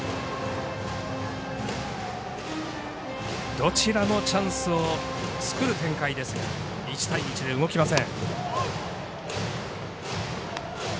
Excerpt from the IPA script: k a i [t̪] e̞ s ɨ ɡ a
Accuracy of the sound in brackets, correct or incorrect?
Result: incorrect: d̪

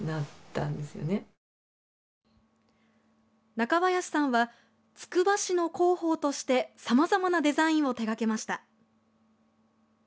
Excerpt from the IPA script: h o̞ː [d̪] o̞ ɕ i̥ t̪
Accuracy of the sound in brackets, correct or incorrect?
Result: incorrect: t̪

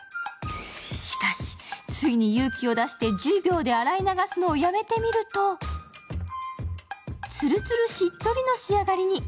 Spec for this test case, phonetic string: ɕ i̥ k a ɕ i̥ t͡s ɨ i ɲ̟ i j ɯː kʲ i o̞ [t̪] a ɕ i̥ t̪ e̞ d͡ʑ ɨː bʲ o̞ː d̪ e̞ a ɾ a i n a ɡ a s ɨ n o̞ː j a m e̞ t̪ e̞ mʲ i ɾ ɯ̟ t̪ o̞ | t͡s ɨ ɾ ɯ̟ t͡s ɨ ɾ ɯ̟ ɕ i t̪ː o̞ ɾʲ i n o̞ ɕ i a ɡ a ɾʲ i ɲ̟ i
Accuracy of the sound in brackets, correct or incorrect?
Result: incorrect: d̪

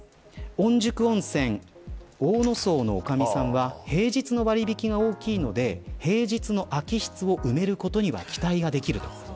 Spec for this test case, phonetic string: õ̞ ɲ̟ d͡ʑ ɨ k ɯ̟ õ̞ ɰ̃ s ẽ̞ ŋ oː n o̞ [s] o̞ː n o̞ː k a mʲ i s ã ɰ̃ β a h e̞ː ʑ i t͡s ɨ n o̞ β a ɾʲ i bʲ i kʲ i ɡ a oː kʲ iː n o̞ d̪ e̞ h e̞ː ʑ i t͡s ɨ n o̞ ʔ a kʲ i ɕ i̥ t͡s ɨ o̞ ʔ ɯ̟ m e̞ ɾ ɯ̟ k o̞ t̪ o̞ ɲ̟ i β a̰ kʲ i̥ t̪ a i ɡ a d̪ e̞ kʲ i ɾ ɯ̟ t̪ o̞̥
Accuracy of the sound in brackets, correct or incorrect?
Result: correct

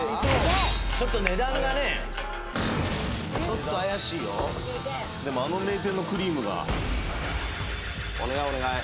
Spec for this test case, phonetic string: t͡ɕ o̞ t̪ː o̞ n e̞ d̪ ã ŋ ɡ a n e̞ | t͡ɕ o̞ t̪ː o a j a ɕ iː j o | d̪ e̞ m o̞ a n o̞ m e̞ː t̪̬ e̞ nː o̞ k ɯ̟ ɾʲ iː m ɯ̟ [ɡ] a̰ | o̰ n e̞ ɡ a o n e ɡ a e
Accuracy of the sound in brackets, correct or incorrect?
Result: correct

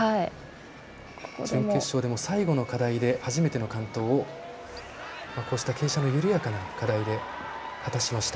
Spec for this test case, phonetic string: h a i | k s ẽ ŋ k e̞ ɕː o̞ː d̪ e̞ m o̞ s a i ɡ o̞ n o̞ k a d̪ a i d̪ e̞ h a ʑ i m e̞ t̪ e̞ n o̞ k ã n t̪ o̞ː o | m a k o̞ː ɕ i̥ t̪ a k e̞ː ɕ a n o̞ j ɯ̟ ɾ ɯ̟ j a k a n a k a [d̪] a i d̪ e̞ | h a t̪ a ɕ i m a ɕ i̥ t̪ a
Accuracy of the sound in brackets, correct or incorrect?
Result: correct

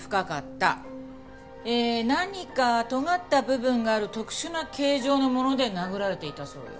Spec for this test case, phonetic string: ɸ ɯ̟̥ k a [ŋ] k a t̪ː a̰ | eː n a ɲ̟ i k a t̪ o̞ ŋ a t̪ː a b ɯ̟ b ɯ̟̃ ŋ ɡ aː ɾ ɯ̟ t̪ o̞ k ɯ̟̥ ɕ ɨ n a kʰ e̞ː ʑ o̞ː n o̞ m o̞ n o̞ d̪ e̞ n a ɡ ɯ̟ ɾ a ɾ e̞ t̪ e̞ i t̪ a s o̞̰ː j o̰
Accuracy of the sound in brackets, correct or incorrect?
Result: incorrect: none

